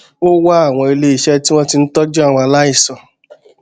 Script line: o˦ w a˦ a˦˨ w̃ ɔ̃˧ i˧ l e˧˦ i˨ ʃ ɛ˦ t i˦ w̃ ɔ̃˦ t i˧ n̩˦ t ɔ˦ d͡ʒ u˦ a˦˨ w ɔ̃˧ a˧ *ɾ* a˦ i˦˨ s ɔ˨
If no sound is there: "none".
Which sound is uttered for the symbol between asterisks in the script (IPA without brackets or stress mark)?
l